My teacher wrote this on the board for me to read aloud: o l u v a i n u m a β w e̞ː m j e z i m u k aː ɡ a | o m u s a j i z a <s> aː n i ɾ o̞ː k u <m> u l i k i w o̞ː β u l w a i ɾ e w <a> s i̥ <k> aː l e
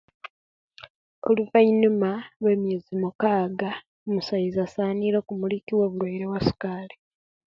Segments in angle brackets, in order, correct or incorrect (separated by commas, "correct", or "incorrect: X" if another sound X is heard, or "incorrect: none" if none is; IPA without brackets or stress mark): correct, correct, correct, correct